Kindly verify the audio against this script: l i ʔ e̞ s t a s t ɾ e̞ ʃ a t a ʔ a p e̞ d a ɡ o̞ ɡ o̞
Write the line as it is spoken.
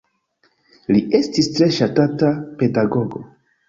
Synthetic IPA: l i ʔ e̞ s t i s t ɾ e̞ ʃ a t a t a p e̞ d a ɡ o̞ ɡ o̞